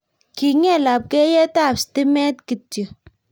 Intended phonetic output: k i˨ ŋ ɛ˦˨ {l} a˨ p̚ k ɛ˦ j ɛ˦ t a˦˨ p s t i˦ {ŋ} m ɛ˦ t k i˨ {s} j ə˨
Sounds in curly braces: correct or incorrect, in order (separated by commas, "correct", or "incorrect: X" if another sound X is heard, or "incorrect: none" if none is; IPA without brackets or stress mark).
correct, incorrect: none, incorrect: t